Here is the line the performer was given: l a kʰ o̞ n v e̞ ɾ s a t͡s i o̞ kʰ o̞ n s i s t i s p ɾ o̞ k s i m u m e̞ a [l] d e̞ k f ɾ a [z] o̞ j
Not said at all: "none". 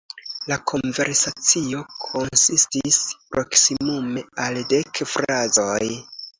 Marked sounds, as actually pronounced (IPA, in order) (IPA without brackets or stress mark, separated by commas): l, z